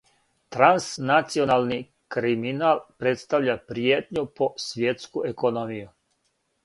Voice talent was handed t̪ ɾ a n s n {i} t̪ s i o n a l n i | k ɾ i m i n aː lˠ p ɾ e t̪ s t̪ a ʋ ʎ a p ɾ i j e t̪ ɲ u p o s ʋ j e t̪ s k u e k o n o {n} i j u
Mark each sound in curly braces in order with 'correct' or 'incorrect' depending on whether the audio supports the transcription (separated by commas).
incorrect, incorrect